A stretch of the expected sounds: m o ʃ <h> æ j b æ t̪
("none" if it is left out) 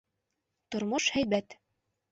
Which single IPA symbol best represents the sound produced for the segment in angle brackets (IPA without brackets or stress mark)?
h